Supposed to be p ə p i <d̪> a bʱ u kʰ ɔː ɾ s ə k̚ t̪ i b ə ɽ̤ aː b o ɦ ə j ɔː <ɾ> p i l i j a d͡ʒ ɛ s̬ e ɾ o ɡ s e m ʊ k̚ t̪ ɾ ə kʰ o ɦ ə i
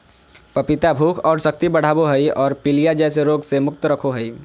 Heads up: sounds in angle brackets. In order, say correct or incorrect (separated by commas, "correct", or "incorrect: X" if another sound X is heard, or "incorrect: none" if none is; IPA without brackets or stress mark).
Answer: incorrect: t̪, correct